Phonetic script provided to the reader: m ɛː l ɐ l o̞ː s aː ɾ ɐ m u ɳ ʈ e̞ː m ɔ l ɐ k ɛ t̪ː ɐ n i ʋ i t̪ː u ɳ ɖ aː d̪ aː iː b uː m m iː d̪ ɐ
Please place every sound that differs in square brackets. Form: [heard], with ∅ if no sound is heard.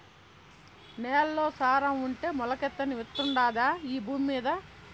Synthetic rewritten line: [n] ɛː l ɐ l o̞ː s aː ɾ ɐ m u ɳ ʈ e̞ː m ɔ l ɐ k ɛ t̪ː ɐ n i ʋ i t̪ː u ɳ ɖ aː d̪ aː iː b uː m m iː d̪ ɐ

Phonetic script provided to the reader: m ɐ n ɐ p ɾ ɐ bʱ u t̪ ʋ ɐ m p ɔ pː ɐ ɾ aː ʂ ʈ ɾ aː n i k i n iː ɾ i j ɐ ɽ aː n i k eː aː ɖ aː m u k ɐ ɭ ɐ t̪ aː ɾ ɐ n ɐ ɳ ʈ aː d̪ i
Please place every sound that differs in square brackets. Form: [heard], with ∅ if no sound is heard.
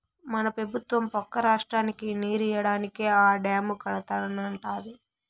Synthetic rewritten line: m ɐ n ɐ p ɾ ɐ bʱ u t̪ ʋ ɐ m p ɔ [kː] ɐ ɾ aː ʂ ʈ ɾ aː n i k i n iː ɾ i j ɐ ɽ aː n i k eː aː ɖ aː m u k ɐ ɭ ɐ t̪ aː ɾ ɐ n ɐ ɳ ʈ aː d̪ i

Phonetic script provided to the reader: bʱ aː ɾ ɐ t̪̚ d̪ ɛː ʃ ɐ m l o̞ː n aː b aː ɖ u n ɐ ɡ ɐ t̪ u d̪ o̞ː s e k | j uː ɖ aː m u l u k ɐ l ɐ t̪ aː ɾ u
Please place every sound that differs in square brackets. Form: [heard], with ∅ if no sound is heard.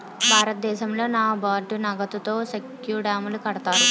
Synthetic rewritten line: bʱ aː ɾ ɐ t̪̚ d̪ ɛː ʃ ɐ m l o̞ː n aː b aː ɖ u n ɐ ɡ ɐ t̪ u [t̪] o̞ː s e k | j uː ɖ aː m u l u k ɐ [ɽ] ɐ t̪ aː ɾ u

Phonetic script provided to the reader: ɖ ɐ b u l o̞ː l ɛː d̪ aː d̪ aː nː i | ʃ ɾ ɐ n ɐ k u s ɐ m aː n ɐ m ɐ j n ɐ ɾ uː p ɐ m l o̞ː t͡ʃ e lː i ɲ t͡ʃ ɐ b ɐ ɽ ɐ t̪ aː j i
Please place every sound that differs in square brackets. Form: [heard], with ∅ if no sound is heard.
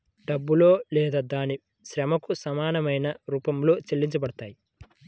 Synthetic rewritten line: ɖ ɐ [bː] u l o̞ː l ɛː d̪ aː d̪ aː [n] i | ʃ ɾ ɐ [m] ɐ k u s ɐ m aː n ɐ m ɐ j n ɐ ɾ uː p ɐ m l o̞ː t͡ʃ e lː i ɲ t͡ʃ ɐ b ɐ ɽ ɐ t̪ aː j i

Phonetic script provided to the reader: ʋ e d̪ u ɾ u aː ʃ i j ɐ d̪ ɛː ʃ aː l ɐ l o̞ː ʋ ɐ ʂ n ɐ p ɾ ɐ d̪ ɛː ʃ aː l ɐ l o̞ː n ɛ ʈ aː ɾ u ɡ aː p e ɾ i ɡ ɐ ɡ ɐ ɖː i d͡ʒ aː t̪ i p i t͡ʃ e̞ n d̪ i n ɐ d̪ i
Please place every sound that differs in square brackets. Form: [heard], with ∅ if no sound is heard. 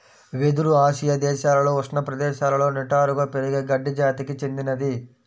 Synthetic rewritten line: ʋ e d̪ u ɾ u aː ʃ i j ɐ d̪ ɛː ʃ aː l ɐ l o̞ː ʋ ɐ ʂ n ɐ p ɾ ɐ d̪ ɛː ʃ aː l ɐ l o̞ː n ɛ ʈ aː ɾ u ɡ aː p e ɾ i ɡ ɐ ɡ ɐ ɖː i d͡ʒ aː t̪ i [k] i t͡ʃ e̞ n d̪ i n ɐ d̪ i

